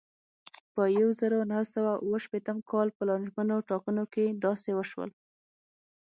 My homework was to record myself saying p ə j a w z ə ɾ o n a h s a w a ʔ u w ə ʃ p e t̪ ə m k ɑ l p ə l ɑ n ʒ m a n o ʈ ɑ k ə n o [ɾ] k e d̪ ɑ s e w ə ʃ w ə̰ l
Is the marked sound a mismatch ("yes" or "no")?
yes